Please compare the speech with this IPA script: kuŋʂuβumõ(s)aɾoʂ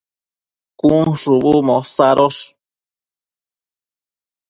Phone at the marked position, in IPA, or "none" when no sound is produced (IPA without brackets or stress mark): s